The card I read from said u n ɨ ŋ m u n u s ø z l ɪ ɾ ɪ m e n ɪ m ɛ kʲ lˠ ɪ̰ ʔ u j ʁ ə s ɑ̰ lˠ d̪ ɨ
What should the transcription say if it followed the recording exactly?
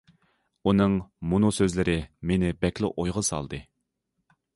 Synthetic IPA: u n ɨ ŋ m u n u s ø z l ɪ ɾ ɪ m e n ɪ b ɛ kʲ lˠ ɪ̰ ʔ o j ʁ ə s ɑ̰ lˠ d̪ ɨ